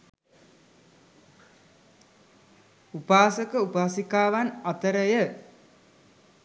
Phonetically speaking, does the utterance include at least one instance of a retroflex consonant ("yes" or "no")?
no